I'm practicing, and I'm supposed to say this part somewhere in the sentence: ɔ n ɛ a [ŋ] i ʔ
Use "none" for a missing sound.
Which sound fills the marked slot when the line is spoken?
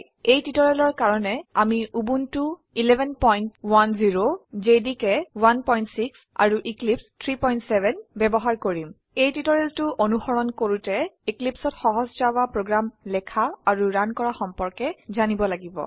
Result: m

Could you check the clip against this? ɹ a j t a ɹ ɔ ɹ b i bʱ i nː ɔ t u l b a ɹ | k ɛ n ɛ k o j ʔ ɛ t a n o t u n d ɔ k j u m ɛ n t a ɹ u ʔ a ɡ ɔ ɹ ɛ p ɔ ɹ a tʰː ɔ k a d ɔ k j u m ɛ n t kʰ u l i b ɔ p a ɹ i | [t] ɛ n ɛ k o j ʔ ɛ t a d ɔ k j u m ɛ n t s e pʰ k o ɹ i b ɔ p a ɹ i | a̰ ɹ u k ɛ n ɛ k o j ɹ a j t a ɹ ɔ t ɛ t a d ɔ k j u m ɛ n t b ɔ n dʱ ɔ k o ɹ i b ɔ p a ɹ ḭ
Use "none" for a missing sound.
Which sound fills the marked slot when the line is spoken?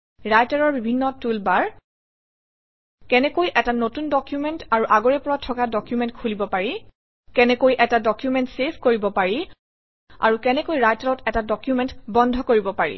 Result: k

